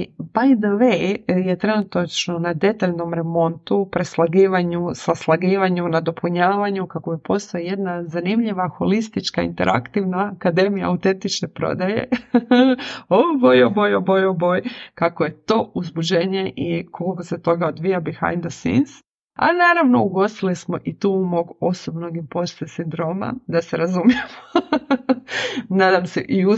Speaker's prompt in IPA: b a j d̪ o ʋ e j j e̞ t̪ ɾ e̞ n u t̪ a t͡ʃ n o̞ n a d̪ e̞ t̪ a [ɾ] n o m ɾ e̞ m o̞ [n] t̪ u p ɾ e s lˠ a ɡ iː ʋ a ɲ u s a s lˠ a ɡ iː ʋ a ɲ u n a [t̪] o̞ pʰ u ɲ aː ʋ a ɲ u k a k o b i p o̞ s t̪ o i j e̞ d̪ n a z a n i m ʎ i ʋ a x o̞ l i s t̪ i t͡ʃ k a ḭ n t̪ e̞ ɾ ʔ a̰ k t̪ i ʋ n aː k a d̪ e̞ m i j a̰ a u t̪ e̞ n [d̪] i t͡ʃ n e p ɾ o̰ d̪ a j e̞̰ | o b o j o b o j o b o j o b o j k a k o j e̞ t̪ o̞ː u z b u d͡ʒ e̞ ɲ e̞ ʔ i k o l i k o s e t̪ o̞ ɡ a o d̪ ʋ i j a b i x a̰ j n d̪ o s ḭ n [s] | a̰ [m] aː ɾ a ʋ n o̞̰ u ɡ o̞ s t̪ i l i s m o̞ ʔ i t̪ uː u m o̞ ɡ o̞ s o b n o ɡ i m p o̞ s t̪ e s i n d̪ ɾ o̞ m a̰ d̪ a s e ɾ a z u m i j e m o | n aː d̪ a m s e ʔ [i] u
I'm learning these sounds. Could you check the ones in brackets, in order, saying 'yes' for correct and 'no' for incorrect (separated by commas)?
no, yes, no, no, yes, no, yes